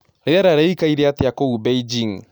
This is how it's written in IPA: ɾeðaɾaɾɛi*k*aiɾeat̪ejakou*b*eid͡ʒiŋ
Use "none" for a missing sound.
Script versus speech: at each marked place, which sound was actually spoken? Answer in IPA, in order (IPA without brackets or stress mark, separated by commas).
k, b